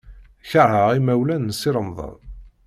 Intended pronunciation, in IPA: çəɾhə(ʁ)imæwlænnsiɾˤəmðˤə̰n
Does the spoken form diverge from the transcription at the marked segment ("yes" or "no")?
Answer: no